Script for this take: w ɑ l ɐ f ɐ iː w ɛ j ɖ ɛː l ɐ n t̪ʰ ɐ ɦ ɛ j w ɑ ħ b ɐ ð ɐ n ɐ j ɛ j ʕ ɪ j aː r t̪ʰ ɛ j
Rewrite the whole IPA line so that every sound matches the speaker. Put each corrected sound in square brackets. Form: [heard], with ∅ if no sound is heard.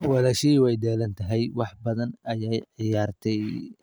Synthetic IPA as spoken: w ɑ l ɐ [ʃ] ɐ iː w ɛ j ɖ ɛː l ɐ n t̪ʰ ɐ ɦ ɛ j w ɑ ħ b ɐ ð ɐ n ɐ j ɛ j ʕ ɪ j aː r t̪ʰ ɛ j

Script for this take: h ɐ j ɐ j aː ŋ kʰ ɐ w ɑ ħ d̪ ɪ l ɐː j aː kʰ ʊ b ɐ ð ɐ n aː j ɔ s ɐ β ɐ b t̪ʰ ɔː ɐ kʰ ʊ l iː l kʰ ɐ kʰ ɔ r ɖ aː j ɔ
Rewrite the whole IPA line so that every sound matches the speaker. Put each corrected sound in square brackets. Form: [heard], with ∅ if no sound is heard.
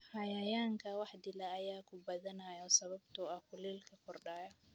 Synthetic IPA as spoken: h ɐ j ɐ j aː ŋ kʰ ɐ w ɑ ħ d̪ ɪ l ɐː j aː kʰ ʊ b ɐ ð ɐ n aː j ɔ s ɐ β ɐ b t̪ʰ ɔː ɐ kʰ ʊ l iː l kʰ ɐ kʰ ɔ r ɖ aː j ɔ

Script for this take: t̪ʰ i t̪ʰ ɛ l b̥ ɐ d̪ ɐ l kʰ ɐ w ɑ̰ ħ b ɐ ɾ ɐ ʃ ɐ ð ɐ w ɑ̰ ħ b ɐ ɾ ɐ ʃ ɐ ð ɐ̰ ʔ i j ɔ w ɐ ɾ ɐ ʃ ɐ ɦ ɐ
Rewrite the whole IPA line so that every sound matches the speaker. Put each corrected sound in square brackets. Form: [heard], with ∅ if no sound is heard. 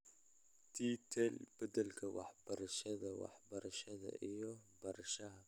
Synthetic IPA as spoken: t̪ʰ i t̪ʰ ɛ l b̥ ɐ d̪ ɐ l kʰ ɐ w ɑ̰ ħ b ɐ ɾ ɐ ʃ ɐ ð ɐ w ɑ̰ ħ b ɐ ɾ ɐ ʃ ɐ ð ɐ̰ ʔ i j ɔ [b] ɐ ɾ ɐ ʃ ɐ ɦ ɐ

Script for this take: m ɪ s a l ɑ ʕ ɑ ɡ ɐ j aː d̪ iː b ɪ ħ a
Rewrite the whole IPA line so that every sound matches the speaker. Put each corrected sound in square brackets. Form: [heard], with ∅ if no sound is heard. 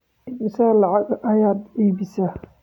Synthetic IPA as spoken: m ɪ s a l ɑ ʕ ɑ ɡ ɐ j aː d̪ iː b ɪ [s] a

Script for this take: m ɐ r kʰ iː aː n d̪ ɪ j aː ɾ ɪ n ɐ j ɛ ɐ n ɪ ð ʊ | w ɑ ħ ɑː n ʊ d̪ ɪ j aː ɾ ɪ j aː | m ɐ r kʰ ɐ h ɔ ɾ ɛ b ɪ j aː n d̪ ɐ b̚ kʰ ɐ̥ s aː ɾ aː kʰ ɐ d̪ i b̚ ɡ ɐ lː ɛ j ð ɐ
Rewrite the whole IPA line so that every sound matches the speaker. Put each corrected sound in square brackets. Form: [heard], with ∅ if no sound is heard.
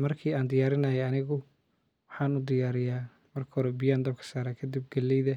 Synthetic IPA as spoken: m ɐ r kʰ iː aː n d̪ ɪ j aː ɾ ɪ n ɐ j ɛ ɐ n ɪ [ɣ] ʊ | w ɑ ħ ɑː n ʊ d̪ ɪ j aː ɾ ɪ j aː | m ɐ r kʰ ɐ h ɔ ɾ ɛ b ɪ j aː n d̪ ɐ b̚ kʰ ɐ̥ s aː ɾ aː kʰ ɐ d̪ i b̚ ɡ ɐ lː ɛ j ð ɐ

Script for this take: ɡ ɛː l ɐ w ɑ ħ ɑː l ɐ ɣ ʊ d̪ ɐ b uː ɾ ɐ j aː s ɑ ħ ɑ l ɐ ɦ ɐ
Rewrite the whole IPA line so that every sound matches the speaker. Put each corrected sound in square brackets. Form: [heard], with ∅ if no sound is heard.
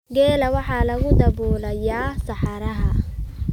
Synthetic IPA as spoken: ɡ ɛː l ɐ w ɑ ħ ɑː l ɐ ɣ ʊ d̪ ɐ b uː [l] ɐ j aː s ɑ ħ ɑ [ɾ] ɐ ɦ ɐ

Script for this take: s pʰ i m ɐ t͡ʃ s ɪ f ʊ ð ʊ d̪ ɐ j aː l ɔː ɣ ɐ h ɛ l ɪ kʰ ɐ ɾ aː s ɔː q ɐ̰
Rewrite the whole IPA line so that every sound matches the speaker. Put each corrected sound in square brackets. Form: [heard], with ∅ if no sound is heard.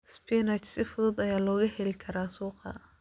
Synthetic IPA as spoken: s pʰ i [n] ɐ t͡ʃ s ɪ f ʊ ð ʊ d̪ ɐ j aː l ɔː ɣ ɐ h ɛ l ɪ kʰ ɐ ɾ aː s [uː] q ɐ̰

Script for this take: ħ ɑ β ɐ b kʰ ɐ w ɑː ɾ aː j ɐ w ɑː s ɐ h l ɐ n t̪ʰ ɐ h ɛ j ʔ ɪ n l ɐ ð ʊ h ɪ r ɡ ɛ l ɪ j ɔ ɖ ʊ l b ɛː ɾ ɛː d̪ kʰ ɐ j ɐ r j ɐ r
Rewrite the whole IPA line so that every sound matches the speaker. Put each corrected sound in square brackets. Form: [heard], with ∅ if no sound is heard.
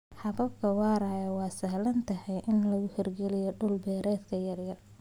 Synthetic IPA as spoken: ħ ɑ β ɐ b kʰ ɐ w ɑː ɾ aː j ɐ w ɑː s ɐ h l ɐ n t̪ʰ ɐ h ɛ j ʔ ɪ n l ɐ [ɣ] ʊ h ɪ r ɡ ɛ l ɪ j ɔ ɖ ʊ l b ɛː ɾ ɛː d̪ kʰ ɐ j ɐ r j ɐ r

